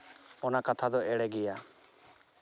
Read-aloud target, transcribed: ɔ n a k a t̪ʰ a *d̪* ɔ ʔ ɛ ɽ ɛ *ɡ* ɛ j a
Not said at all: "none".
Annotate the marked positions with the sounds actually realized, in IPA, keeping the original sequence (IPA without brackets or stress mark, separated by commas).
d̪, ɡ